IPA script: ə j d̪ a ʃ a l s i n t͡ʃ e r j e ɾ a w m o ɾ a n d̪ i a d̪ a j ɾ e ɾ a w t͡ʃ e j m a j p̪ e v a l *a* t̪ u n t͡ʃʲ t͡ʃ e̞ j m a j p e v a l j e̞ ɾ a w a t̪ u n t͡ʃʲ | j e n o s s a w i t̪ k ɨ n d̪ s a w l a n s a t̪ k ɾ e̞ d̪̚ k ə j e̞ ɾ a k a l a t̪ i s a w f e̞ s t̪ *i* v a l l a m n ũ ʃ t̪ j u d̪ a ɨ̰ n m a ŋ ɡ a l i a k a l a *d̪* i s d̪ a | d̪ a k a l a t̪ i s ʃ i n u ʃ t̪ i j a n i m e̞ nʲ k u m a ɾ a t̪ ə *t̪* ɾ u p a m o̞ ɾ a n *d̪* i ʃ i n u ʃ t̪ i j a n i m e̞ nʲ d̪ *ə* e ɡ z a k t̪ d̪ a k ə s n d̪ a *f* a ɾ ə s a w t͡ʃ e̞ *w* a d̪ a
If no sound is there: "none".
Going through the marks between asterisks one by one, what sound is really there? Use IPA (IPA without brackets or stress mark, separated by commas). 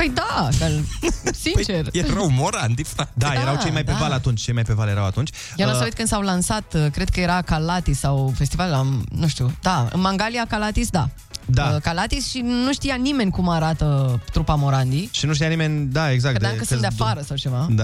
a, i, t̪, t̪, d̪, a, f, v